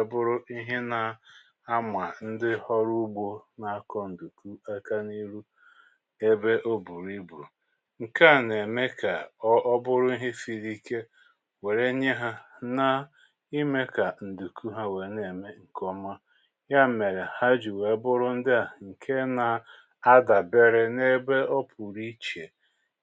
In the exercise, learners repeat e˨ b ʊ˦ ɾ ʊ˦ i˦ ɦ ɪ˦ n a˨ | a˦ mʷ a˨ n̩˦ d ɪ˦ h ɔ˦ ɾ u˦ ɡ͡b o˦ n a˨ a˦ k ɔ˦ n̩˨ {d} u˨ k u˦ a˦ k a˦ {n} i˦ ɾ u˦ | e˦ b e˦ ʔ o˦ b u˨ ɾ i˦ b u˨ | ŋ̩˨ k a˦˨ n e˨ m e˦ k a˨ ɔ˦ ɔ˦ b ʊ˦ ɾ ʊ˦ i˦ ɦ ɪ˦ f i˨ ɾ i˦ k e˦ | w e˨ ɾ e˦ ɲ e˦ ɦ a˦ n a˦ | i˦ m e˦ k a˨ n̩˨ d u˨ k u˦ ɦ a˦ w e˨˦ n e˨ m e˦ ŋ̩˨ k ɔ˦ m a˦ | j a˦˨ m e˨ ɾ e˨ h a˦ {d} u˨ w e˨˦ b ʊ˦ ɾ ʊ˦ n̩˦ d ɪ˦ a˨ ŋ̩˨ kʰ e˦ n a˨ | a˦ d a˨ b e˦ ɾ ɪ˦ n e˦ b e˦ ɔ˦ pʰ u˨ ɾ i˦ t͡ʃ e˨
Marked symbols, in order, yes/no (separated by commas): yes, yes, no